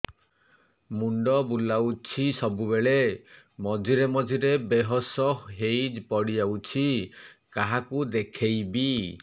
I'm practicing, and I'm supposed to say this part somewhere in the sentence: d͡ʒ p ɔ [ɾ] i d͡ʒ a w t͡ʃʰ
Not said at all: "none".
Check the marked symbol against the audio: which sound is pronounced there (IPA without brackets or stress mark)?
ɽ